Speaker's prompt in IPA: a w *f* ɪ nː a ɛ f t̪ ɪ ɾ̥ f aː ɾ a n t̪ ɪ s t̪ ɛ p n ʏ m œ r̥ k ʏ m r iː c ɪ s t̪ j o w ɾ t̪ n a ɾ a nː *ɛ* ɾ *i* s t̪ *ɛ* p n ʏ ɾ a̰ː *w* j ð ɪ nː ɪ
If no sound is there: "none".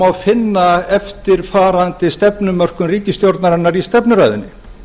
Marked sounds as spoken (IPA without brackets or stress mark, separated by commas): f, a, i, ɛ, none